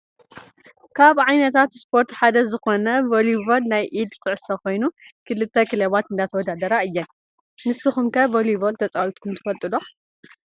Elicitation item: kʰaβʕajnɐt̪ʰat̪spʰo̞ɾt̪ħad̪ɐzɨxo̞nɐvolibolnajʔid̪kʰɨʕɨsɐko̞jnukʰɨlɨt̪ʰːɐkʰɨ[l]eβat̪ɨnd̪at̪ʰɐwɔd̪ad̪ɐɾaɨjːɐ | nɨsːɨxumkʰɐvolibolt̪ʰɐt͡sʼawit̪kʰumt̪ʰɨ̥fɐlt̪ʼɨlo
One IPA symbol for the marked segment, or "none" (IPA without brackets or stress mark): l